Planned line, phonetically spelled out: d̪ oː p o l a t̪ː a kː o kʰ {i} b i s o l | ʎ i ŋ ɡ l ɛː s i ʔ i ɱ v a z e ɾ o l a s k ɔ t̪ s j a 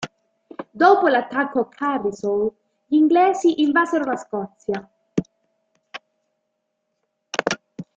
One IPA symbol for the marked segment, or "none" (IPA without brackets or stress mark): a